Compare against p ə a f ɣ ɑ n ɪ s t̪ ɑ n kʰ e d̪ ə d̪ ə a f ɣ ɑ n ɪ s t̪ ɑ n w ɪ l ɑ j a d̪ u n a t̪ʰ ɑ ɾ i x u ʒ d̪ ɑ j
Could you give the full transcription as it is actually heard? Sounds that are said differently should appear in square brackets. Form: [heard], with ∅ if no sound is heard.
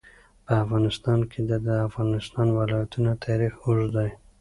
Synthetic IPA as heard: p ə a f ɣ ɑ n ɪ s t̪ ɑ n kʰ e d̪ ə d̪ ə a f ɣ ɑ n ɪ s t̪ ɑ n w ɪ l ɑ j a [t̪] u n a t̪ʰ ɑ ɾ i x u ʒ d̪ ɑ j

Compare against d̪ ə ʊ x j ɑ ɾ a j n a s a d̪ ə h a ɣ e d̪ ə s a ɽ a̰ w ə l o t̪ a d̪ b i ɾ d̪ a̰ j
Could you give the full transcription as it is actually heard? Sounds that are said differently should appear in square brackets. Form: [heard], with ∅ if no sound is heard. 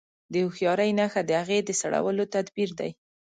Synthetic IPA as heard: d̪ ə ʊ x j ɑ ɾ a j n a [x] a d̪ ə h a ɣ e d̪ ə s a ɽ a̰ w ə l o t̪ a d̪ b i ɾ d̪ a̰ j

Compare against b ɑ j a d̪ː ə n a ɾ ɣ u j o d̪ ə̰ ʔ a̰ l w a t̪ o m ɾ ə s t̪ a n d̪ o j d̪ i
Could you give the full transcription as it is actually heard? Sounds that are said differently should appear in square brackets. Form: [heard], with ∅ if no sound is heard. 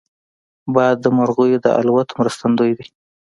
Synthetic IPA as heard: b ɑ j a d̪ː ə [m] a ɾ ɣ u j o d̪ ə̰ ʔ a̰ l w a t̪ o m ɾ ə s t̪ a n d̪ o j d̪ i

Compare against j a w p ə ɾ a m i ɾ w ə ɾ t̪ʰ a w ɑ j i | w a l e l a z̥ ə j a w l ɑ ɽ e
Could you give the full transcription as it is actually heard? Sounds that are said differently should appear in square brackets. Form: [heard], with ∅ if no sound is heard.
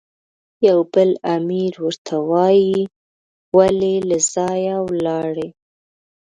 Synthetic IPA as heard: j a w [b] ə [l] a m i ɾ w ə ɾ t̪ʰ a w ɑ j i | w a l e l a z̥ [ɑ] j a w l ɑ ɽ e

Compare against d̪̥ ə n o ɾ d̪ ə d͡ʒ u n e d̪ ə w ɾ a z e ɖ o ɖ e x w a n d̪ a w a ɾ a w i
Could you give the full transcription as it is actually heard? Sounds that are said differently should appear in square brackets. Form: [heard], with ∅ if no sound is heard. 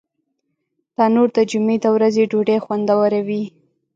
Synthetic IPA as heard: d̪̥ [ɑ] n o ɾ d̪ ə d͡ʒ u [m] e d̪ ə w ɾ a z e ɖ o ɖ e x w a n d̪ a w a ɾ a w i

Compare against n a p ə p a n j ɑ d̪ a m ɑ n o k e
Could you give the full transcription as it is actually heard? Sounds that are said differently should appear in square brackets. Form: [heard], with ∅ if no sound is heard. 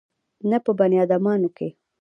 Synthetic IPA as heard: n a p ə [b] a n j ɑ d̪ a m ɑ n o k e

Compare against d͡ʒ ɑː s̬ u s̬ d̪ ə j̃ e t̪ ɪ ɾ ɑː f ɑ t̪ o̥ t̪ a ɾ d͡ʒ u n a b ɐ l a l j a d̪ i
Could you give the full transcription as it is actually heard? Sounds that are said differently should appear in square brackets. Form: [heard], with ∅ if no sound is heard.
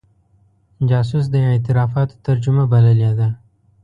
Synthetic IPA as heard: d͡ʒ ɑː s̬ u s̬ d̪ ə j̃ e t̪ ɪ ɾ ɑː f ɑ t̪ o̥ t̪ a ɾ d͡ʒ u [m] a b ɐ l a l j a d̪ [a]

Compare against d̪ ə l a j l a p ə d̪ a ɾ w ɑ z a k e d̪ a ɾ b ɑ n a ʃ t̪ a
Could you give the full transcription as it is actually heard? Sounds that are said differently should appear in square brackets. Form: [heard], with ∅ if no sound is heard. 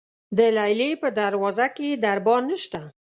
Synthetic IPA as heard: d̪ ə l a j l [e] p ə d̪ a ɾ w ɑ z a k e d̪ a ɾ b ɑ n [ə] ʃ t̪ a

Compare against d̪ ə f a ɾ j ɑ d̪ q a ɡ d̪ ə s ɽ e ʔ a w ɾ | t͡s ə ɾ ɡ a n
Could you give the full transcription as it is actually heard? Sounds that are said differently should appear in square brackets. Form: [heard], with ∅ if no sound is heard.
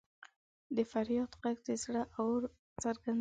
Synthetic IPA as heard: d̪ ə f a ɾ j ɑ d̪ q a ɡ d̪ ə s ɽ [a] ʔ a w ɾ | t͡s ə ɾ ɡ a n

